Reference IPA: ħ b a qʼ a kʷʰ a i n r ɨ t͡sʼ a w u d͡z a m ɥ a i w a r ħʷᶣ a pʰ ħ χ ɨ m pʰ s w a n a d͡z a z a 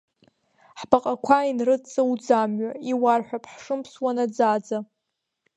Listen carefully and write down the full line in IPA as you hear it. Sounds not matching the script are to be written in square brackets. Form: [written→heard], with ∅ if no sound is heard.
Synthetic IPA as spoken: ħ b a qʼ a kʷʰ a i n r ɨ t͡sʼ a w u d͡z a m ɥ a i w a r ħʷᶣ a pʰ ħ [χ→ʂ] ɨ m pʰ s w a n a d͡z a [z→d͡z] a